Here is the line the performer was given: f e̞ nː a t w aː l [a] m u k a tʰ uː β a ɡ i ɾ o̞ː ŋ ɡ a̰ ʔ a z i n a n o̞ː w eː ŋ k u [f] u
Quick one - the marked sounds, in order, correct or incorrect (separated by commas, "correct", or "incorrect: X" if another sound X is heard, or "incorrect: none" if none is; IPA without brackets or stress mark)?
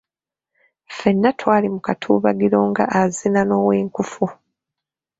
incorrect: i, correct